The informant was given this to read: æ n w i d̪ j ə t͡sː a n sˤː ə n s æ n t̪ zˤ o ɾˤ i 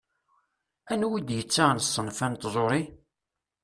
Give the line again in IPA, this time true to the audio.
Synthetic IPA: æ n w i d̪ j ə t͡sː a n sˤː ə n f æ n t̪ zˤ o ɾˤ i

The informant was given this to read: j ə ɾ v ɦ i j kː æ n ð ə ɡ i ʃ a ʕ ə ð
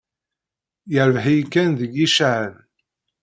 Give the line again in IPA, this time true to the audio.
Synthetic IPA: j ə ɾ v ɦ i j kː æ n ð ə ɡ i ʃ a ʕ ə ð

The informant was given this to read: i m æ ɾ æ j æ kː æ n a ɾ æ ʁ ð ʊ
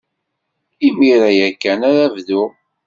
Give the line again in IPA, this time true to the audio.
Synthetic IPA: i m i ɾ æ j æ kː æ n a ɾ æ v ð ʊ

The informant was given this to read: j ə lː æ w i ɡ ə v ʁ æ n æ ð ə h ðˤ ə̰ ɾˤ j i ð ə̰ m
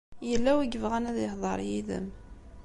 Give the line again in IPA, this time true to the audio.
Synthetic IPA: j ə lː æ w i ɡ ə v ʁ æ n æ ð ə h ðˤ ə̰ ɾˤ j i ð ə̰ m

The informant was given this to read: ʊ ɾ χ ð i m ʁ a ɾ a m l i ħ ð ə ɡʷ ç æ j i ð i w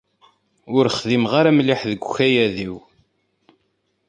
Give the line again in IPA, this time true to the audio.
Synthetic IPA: ʊ ɾ χ ð i m ʁ a ɾ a m l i ħ ð ə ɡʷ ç æ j æ ð i w

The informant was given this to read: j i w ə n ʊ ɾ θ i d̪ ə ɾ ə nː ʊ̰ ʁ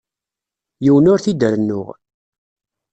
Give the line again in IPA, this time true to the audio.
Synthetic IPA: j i w ə n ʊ ɾ θ i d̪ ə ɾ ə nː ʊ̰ ʁ

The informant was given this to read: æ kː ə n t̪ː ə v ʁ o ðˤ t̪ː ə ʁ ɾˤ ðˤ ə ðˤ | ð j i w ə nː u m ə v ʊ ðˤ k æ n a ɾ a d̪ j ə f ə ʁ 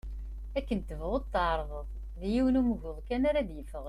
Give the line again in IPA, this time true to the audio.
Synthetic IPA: æ kː ə n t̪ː ə v ʁ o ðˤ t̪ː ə ʕ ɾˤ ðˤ ə ðˤ | ð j i w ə n u m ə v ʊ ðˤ k æ n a ɾ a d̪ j ə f ə ʁ

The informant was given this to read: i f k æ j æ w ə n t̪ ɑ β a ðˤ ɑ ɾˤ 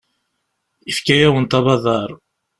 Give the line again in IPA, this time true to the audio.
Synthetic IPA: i f k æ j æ w ə n t̪ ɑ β ɑ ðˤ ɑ ɾˤ

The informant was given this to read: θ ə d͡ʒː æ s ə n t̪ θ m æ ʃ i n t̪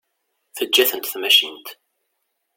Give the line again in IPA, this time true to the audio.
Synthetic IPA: θ ə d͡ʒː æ θ ə n t̪ θ m æ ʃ i n t̪

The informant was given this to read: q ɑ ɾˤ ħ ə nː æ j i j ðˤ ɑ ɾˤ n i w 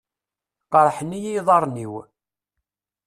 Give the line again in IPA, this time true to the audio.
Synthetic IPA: q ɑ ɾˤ ħ ə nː i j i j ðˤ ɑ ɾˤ n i w

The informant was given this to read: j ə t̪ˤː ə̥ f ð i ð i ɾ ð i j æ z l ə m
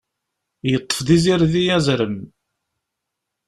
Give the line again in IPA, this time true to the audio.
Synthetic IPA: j ə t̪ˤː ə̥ f ð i z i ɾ ð i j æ z ɾ ə m

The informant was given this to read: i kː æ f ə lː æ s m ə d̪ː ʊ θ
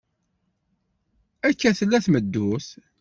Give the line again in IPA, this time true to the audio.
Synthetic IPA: æ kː æ θ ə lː æ θ m ə d̪ː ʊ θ

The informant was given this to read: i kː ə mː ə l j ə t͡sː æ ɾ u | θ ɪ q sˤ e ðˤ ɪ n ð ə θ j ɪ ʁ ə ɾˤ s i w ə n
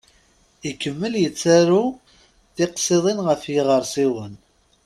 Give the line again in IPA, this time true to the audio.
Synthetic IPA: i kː ə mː ə l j ə t͡sː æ ɾ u | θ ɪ q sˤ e ðˤ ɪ n ʁ ə f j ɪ ʁ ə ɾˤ s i w ə n

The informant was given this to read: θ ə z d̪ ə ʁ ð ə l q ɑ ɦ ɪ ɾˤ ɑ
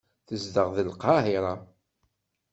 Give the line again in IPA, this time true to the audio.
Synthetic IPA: θ ə z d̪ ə ʁ ð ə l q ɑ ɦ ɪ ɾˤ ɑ

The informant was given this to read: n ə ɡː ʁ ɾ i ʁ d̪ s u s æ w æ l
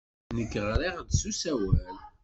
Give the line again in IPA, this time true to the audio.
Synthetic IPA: n ə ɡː ʁ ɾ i ʁ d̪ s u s æ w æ l

